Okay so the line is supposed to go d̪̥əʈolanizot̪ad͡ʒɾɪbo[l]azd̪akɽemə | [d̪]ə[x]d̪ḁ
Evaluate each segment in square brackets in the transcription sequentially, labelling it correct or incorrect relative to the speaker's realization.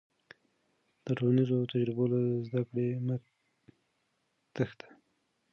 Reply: correct, incorrect, correct

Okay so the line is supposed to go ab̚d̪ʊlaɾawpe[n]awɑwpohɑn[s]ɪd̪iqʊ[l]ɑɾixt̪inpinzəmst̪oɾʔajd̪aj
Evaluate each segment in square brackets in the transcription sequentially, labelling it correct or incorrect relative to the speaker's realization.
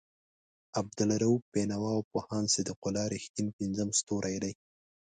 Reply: correct, correct, correct

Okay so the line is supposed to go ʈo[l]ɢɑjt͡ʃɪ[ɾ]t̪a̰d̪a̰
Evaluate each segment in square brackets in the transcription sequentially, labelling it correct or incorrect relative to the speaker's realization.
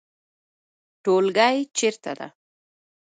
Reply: correct, correct

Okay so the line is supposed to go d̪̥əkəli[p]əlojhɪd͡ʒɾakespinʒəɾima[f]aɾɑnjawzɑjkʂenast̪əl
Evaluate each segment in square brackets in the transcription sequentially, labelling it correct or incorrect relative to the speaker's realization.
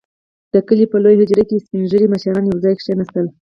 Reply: correct, incorrect

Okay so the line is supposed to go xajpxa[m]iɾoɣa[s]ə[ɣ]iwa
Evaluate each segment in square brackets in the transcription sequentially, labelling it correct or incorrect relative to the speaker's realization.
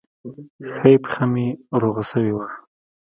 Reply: correct, correct, incorrect

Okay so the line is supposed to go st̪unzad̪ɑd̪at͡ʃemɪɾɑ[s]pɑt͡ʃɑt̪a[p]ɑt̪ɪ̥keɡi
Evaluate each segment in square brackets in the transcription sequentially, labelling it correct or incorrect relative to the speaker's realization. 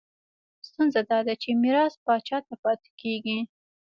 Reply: correct, correct

